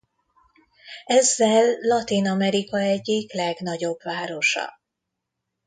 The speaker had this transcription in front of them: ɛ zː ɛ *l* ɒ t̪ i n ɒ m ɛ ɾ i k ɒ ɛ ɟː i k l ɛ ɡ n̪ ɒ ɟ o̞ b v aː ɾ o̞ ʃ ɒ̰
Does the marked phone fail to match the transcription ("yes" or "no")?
yes